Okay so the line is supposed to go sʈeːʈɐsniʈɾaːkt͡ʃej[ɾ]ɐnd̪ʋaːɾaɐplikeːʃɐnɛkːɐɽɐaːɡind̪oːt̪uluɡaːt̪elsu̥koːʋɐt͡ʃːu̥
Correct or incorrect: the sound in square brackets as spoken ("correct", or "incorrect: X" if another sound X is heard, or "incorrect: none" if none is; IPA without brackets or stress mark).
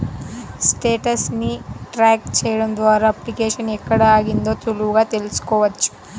incorrect: ɽ